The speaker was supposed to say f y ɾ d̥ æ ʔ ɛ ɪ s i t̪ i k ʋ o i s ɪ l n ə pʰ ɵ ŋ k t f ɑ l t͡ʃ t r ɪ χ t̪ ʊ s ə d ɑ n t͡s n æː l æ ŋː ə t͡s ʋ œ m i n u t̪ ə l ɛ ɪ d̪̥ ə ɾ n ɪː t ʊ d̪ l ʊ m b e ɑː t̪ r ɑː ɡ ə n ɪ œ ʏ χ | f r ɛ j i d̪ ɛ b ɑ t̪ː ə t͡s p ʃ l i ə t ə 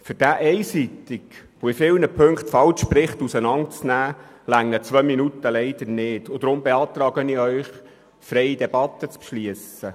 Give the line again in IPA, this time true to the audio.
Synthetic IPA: f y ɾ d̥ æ ʔ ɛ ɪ s i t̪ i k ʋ o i f ɪ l n ə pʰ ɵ ŋ k t f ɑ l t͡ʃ p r ɪ χ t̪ u s ə n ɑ n t͡s n æː l æ ŋː ə t͡s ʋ œ m i n u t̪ ə l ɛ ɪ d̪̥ ə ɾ n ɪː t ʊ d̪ ɾ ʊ m b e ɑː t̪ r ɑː ɡ ə n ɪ œ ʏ χ | f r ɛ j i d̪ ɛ b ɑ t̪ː ə t͡s p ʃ l i ə s ə

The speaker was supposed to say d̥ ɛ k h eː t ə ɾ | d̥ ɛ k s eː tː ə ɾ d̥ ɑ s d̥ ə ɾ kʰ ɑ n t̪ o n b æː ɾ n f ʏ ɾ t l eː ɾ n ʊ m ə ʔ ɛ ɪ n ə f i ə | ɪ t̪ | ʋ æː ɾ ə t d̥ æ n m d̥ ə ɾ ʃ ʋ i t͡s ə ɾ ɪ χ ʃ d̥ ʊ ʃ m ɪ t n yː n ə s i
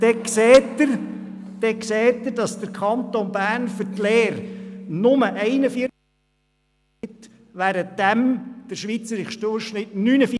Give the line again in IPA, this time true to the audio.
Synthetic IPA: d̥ ɛ k s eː t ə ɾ | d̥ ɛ k s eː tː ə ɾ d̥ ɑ s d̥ ə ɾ kʰ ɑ n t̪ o n b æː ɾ n f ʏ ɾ t l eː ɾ n ʊ m ə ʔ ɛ ɪ n ə f i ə | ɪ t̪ | ʋ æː ɾ ə t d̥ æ m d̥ ə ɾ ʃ ʋ i t͡s ə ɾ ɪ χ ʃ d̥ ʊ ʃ n ɪ t n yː n ə f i

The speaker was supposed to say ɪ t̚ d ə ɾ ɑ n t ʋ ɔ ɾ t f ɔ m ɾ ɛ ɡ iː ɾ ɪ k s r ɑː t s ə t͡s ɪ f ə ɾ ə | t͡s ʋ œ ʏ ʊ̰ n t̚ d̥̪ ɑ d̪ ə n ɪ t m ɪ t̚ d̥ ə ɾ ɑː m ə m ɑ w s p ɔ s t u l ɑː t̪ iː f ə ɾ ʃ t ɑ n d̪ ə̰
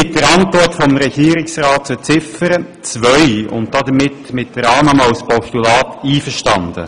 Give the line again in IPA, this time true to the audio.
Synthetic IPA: ɪ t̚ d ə ɾ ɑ n t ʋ ɔ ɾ t f ɔ m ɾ ɛ ɡ iː ɾ ɪ k s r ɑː t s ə t͡s ɪ f ə ɾ ə | t͡s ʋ œ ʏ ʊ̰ n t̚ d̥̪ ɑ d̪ ə m ɪ t m ɪ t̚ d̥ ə ɾ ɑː m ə m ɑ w s p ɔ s t u l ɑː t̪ iː f ə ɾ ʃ t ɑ n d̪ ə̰

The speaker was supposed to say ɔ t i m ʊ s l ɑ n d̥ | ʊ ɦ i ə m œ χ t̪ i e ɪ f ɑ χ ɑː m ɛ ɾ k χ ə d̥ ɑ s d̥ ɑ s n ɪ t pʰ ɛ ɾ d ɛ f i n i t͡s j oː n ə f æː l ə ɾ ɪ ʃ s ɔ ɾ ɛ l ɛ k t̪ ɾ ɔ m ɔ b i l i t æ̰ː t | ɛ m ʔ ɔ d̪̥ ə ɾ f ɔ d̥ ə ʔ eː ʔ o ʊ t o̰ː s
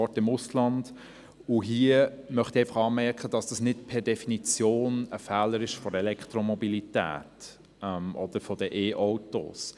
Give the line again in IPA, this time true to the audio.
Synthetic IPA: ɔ t ɪ m ʊ s l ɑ n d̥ | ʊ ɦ i ə m œ χ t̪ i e ɪ f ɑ χ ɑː m ɛ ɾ k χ ə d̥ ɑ s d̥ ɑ s n ɪ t pʰ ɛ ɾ d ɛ f i n i t͡s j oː n ə f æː l ə ɾ ɪ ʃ f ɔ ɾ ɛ l ɛ k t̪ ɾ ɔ m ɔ b i l i t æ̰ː t | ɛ m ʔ ɔ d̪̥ ə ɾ f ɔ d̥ ə ʔ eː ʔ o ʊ t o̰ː s

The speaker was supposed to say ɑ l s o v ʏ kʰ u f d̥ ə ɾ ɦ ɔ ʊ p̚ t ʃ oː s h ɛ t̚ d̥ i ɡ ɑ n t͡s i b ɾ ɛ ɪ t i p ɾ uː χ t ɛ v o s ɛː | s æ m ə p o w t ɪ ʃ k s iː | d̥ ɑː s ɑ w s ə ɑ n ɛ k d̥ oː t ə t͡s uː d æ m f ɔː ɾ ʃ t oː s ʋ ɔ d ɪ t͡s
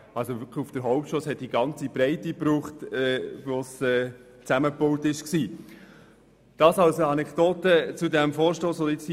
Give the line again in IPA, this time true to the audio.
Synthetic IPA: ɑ l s o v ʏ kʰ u f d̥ ə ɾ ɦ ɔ ʊ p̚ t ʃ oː s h ɛ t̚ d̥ i ɡ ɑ n t͡s i b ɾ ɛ ɪ t i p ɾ uː χ t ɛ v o s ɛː | t͡s æ m ə p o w t ɪ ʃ k s iː | d̥ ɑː s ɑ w s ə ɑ n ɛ k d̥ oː t ə t͡s u d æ m f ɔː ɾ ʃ t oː s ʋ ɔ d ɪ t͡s

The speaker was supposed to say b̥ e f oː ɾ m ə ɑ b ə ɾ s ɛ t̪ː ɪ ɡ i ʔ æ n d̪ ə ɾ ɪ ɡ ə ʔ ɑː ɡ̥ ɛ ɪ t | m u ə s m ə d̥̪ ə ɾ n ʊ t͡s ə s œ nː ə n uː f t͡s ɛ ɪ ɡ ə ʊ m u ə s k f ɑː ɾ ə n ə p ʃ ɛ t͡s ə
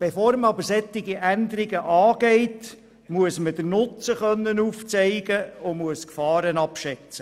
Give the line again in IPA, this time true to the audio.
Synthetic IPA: b̥ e f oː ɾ m ə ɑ b ə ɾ s ɛ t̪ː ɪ ɡ i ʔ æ n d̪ ə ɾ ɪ ɡ ə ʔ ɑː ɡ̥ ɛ ɪ t | m u ə s m ə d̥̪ ə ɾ n ʊ t͡s ə χ œ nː ə n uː f t͡s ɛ ɪ ɡ ə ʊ m u ə s k f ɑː ɾ ə n ɑ p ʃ ɛ t͡s ə

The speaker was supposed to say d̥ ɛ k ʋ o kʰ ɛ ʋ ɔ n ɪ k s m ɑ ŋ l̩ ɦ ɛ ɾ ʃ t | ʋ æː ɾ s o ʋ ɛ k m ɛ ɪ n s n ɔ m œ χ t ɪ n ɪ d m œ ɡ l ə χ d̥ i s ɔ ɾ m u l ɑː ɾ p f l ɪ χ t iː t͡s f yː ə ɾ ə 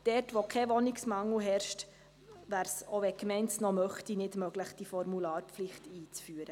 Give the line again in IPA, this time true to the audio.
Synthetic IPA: d̥ ɛ t ʋ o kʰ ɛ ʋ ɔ n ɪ k s m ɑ ŋ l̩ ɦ ɛ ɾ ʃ t | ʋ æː ɾ s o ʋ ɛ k m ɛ ɪ n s n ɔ m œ χ t i n ɪ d m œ ɡ l ə χ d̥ i f ɔ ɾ m u l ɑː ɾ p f l ɪ χ t iː t͡s f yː ə ɾ ə

